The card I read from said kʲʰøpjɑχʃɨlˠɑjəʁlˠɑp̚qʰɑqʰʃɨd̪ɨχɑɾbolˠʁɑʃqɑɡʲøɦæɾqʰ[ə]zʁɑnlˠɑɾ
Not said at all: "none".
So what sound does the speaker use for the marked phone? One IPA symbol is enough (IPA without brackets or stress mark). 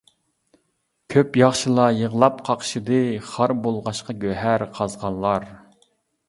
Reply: ɑ